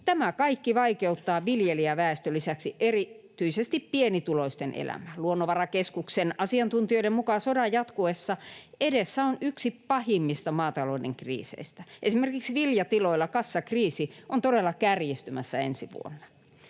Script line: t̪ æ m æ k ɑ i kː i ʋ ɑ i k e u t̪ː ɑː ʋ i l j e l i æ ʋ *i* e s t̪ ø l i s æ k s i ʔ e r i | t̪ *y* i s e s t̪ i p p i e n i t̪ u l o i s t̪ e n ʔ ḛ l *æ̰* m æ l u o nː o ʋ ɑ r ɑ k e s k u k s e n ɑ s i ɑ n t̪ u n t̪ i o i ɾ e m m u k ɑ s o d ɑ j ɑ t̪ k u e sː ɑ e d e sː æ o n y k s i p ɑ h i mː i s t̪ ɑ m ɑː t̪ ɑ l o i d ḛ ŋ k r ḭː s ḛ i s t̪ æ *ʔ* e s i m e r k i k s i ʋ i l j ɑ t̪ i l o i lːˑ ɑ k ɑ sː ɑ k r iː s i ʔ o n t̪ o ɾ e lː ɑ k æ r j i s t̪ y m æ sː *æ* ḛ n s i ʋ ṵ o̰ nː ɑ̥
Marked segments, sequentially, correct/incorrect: incorrect, correct, correct, correct, correct

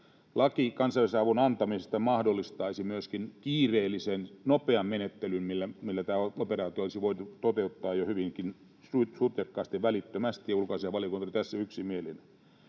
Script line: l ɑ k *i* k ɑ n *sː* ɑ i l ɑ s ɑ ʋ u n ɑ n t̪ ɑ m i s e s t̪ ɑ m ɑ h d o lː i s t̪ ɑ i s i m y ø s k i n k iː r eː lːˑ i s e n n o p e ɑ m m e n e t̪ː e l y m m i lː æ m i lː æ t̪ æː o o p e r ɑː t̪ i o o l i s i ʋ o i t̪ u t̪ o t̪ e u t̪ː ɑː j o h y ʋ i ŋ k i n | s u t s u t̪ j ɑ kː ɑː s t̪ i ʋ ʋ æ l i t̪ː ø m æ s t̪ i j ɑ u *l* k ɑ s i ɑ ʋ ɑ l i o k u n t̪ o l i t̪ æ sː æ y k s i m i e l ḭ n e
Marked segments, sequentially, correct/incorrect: correct, incorrect, correct

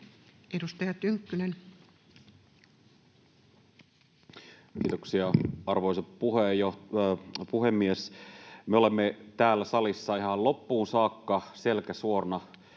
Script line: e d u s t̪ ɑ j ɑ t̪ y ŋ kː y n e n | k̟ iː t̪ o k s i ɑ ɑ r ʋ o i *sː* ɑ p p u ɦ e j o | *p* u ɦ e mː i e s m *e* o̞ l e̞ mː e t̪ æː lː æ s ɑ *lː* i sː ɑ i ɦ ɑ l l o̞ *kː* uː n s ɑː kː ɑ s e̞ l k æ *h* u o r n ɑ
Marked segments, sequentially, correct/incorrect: incorrect, correct, correct, incorrect, incorrect, incorrect

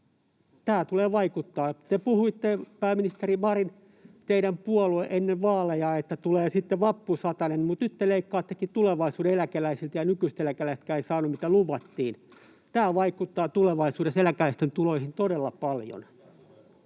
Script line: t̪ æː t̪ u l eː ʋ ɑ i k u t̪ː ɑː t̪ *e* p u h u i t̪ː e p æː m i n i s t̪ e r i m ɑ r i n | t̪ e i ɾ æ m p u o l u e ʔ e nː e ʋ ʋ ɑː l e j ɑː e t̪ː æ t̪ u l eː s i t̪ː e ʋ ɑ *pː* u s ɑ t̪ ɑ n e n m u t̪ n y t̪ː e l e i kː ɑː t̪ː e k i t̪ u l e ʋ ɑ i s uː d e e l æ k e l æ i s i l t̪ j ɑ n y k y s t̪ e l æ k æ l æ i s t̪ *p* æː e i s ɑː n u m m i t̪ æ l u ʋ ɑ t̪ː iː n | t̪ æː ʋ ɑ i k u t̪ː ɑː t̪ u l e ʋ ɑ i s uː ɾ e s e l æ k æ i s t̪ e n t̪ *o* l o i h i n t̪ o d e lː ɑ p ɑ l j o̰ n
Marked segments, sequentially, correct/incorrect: correct, correct, incorrect, incorrect

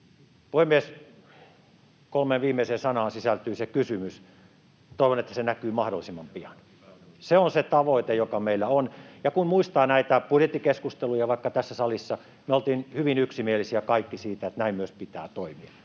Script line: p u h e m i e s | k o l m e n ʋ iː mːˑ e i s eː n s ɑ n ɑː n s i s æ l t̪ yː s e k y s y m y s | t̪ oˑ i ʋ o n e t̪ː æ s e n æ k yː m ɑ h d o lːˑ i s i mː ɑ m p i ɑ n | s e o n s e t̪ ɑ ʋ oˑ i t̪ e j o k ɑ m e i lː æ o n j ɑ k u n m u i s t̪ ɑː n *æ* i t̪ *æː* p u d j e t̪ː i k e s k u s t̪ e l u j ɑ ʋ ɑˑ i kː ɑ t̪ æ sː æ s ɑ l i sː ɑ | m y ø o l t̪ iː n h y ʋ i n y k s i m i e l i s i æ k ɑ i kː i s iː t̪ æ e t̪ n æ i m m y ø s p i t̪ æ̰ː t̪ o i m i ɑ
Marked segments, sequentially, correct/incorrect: correct, incorrect

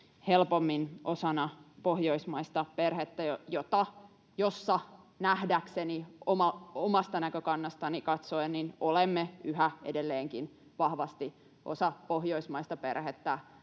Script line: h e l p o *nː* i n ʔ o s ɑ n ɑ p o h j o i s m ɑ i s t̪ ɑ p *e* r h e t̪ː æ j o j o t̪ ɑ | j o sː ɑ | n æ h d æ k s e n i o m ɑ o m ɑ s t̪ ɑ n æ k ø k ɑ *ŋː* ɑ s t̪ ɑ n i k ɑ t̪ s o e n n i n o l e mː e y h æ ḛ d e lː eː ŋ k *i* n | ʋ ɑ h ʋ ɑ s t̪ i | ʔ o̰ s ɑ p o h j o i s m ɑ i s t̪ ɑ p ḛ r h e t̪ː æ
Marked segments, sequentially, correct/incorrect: incorrect, correct, incorrect, correct

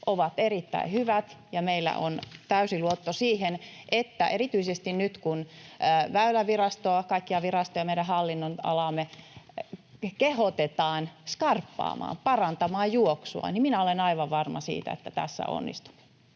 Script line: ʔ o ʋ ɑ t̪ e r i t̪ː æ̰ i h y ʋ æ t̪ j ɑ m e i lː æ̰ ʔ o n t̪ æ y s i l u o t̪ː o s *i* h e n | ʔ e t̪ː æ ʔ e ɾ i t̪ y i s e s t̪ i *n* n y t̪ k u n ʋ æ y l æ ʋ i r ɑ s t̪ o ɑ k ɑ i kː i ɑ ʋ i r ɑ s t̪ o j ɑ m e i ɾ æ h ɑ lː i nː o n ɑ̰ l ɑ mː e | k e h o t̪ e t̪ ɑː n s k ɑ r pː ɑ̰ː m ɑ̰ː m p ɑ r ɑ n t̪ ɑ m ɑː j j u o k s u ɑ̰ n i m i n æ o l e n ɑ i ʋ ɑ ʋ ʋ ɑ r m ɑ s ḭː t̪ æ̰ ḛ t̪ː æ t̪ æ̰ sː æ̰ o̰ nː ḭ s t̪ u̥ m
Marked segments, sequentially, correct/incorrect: incorrect, correct

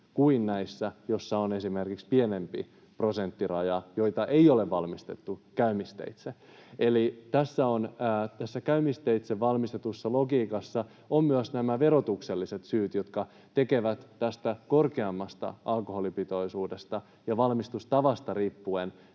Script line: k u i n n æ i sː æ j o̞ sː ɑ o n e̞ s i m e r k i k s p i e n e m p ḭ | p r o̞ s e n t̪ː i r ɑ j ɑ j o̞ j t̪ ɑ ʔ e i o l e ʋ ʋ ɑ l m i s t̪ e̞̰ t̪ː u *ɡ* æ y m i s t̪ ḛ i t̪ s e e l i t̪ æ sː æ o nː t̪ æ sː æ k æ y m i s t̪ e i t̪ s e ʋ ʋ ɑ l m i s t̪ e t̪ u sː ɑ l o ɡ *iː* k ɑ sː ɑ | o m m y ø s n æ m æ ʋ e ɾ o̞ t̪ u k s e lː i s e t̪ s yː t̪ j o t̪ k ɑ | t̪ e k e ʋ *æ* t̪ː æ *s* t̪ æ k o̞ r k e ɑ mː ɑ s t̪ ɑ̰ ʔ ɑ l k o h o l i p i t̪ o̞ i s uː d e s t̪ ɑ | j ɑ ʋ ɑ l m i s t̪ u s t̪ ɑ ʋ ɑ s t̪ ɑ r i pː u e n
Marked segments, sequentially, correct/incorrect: incorrect, correct, correct, correct

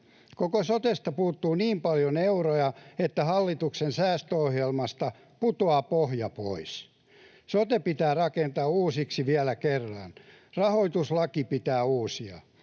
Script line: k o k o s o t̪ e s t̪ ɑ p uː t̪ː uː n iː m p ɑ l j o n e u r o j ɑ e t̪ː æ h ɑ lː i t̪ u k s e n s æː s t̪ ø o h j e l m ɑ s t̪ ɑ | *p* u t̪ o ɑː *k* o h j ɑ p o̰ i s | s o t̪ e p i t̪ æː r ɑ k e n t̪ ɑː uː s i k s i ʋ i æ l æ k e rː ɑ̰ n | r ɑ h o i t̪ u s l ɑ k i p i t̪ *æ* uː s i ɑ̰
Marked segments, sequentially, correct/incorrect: correct, incorrect, incorrect

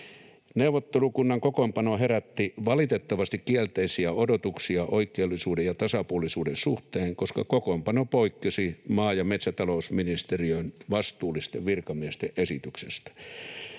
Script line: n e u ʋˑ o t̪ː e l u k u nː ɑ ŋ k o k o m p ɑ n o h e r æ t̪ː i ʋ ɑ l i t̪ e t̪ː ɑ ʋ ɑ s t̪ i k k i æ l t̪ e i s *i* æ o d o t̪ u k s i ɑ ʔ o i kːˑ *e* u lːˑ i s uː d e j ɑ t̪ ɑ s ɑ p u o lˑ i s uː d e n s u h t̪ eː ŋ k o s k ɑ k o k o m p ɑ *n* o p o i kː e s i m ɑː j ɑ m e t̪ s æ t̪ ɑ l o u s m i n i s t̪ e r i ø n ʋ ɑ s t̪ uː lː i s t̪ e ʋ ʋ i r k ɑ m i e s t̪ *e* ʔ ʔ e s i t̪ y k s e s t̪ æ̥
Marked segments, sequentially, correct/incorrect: correct, correct, correct, correct

